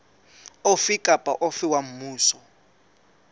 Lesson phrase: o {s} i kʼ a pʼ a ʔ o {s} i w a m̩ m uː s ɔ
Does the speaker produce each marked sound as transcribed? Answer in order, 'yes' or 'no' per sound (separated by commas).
no, no